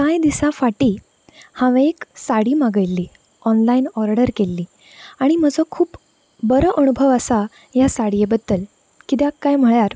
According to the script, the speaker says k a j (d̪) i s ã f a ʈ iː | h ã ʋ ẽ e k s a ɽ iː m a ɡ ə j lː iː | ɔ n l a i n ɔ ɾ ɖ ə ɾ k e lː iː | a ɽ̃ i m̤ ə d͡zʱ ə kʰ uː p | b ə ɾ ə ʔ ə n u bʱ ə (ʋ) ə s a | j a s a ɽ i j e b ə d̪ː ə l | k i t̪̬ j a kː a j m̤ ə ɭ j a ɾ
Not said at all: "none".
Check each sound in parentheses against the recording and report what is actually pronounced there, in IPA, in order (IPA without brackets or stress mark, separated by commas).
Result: d̪, ʋ